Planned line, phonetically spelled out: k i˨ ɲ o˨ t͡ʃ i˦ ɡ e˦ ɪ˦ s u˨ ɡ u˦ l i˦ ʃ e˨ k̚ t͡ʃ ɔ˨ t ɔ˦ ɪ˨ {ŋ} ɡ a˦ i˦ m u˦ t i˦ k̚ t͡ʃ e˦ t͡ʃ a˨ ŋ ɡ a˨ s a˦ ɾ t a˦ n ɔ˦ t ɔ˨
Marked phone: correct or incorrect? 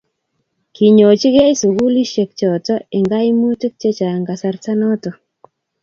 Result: correct